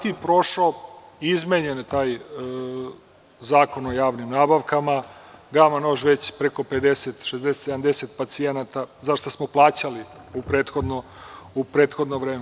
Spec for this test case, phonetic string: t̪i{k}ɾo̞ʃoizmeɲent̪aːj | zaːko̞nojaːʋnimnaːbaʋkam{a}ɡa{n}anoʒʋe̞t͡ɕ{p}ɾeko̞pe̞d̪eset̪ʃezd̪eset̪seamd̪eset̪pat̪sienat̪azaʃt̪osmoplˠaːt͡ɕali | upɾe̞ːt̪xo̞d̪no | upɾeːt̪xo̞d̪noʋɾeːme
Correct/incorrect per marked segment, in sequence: incorrect: p, correct, incorrect: m, correct

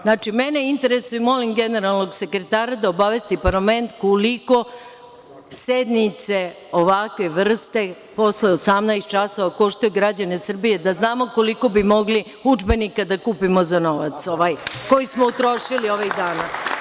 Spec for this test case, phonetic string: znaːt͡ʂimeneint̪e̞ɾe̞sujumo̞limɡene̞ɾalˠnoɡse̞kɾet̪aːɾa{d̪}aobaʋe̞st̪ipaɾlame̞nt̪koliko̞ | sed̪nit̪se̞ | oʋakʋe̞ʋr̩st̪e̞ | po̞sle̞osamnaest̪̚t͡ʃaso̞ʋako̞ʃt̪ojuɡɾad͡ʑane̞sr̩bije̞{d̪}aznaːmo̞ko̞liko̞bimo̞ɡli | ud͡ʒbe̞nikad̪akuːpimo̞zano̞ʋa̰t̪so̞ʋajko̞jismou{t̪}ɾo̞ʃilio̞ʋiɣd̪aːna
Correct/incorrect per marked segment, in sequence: correct, correct, correct

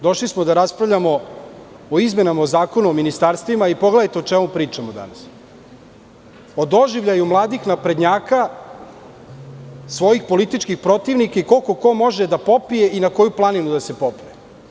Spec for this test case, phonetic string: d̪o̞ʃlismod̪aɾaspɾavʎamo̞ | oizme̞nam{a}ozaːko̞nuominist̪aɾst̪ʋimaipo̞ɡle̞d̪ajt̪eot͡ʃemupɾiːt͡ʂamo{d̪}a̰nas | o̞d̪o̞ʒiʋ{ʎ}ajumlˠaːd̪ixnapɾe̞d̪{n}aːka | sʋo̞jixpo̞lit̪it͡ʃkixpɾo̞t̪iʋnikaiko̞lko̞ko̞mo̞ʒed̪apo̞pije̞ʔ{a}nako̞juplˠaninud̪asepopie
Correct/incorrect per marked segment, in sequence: correct, correct, correct, incorrect: ɲ, incorrect: i

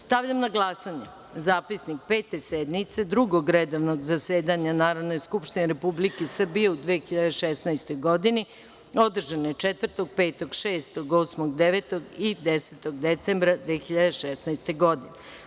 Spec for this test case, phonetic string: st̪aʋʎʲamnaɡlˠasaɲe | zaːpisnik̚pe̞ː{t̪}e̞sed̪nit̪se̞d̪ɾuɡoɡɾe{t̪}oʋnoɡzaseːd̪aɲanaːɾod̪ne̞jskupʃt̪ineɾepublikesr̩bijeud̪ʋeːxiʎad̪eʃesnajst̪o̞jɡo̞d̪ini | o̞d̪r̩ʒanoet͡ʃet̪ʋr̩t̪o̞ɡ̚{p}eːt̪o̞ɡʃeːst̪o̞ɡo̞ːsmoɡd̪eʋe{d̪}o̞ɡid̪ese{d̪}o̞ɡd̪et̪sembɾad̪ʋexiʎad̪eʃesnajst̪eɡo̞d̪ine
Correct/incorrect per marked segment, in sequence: correct, incorrect: d̪, correct, incorrect: t̪, incorrect: t̪

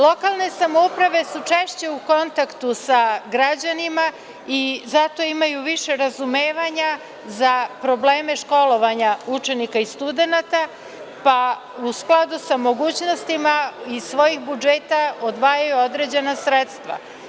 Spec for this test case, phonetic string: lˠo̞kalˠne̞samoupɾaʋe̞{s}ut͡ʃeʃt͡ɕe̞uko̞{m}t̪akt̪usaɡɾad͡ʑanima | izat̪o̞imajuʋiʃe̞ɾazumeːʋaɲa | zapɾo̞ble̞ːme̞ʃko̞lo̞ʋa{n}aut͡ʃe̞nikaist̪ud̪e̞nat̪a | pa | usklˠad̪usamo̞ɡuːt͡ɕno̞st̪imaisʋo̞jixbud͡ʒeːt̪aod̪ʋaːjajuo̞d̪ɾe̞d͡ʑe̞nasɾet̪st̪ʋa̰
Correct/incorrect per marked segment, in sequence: correct, incorrect: n, incorrect: ɲ

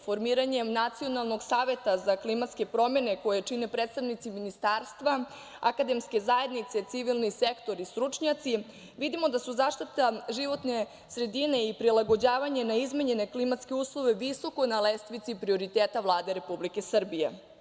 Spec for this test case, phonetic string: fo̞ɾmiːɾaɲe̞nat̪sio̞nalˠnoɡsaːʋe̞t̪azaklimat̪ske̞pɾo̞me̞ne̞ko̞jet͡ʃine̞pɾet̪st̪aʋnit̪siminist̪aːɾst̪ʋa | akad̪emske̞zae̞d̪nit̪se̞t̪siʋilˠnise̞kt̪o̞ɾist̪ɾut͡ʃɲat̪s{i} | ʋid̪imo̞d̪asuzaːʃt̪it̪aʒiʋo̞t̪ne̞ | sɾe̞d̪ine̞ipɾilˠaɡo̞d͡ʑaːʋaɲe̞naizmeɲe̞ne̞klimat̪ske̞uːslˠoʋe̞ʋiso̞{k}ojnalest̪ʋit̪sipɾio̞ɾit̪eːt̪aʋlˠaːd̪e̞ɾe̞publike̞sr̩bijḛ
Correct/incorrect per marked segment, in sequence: correct, correct

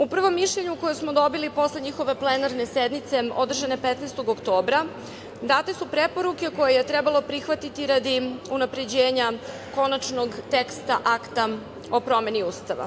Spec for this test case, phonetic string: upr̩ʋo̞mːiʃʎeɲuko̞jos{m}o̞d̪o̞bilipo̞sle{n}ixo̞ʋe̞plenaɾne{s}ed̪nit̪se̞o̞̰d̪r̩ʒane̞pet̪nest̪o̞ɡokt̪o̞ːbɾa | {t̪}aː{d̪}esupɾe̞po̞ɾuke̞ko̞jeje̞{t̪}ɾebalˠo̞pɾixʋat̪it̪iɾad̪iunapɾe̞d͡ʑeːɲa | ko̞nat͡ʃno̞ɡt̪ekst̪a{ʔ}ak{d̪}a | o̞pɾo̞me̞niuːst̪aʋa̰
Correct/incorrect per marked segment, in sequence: correct, incorrect: ɲ, correct, incorrect: d̪, incorrect: t̪, correct, correct, incorrect: t̪

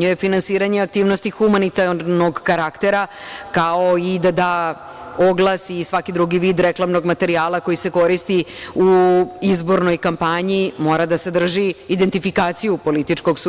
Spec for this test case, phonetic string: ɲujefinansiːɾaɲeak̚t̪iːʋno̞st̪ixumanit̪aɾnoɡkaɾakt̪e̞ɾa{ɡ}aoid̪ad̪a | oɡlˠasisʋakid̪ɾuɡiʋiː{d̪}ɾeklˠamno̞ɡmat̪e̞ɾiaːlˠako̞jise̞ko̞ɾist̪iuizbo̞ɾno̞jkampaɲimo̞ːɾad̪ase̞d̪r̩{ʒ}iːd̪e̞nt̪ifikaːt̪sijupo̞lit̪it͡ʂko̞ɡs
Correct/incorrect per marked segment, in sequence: incorrect: k, correct, correct

